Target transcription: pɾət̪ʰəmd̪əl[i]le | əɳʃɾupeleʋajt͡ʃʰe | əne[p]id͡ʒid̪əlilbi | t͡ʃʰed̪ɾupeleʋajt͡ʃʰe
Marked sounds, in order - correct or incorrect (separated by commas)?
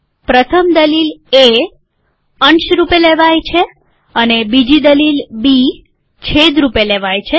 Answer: correct, incorrect